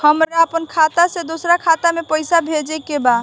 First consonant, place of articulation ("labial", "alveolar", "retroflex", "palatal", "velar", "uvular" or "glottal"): glottal